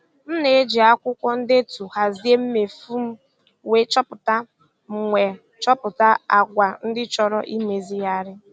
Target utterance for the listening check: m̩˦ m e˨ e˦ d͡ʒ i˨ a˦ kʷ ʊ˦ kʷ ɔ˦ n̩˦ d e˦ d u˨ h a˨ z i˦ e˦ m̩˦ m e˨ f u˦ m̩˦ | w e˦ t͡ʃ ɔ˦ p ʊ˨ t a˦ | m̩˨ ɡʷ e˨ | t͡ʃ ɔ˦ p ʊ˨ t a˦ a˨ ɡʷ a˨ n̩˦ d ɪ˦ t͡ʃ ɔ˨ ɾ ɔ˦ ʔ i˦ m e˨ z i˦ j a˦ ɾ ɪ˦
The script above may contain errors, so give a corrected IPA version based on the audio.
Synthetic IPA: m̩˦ n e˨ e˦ d͡ʒ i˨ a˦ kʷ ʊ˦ kʷ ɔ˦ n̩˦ d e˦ t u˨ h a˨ z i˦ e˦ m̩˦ m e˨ f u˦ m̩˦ | w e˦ t͡ʃ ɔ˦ p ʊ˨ t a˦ | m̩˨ ŋʷ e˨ | t͡ʃ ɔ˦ p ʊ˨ t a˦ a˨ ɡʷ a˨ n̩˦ d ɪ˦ t͡ʃ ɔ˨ ɾ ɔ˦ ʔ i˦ m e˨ z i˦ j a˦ ɾ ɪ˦